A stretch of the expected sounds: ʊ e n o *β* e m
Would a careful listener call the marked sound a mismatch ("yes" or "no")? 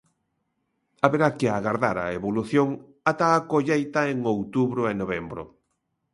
no